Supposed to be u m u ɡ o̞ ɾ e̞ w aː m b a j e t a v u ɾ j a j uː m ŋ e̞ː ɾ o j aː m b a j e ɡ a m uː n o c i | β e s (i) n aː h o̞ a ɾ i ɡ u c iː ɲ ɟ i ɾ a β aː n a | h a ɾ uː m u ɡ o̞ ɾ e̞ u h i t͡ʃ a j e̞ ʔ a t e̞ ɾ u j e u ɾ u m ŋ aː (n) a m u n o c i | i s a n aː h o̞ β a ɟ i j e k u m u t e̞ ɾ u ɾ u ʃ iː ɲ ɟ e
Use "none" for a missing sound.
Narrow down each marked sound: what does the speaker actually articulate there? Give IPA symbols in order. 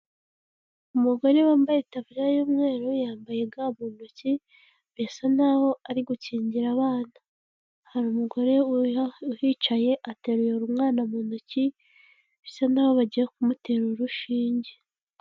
a, n

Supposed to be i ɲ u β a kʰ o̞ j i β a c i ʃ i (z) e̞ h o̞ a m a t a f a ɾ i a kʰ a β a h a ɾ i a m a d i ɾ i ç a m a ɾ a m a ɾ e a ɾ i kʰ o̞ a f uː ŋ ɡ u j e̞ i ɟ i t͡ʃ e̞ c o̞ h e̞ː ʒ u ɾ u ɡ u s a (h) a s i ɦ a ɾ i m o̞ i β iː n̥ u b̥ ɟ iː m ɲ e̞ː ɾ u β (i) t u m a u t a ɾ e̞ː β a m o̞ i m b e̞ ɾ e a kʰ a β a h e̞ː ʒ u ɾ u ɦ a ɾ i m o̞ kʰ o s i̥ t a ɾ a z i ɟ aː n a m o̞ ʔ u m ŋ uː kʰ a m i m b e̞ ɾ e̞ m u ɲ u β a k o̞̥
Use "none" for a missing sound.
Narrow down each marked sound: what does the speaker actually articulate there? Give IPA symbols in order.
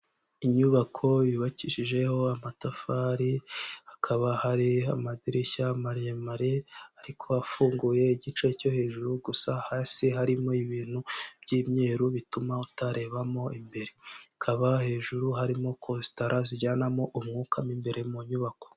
ʒ, h, i

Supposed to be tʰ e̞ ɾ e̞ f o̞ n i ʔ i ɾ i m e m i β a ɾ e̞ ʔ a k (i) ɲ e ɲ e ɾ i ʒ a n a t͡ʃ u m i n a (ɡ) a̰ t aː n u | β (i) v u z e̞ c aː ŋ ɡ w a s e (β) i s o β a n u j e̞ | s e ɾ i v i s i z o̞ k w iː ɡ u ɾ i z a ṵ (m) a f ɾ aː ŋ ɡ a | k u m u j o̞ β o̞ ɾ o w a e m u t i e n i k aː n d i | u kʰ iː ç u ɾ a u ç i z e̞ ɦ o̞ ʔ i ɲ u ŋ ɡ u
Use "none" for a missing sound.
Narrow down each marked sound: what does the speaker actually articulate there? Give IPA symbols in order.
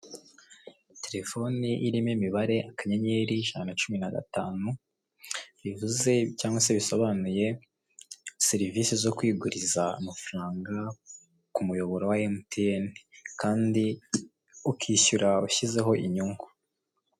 a, ɡ, i, β, m

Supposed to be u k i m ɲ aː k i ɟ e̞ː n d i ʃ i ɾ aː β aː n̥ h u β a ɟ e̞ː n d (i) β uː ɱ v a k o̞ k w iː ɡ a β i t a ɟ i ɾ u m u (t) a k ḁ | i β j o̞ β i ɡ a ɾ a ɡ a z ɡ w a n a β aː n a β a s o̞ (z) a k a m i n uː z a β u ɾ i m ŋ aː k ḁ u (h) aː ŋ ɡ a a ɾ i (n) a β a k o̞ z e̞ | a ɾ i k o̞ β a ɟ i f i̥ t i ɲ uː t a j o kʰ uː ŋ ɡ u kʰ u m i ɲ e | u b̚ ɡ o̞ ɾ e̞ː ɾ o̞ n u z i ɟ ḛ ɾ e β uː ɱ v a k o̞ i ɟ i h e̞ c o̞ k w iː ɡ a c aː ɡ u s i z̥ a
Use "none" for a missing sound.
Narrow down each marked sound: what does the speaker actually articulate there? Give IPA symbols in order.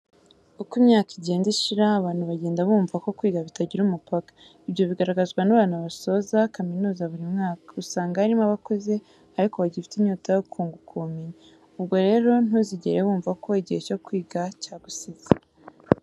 a, p, z, s, m

